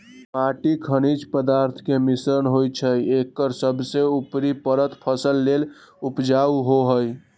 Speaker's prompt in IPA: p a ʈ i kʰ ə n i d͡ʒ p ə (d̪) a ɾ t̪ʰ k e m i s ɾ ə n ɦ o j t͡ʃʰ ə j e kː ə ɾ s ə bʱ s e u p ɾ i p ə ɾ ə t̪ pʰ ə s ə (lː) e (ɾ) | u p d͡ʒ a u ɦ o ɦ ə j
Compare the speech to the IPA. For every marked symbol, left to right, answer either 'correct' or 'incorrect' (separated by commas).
correct, correct, incorrect